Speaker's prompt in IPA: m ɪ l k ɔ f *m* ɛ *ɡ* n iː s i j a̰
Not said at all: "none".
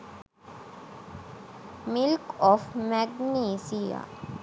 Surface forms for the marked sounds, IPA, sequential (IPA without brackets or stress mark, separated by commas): m, ɡ